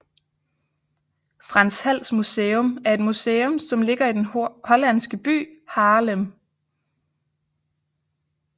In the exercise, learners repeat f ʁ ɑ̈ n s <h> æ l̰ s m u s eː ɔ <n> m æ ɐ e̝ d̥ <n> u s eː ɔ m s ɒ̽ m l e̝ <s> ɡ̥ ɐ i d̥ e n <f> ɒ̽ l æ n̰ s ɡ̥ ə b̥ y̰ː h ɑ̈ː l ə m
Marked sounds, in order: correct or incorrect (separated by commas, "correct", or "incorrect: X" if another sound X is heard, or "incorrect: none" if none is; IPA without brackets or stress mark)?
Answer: correct, incorrect: none, incorrect: m, incorrect: none, incorrect: h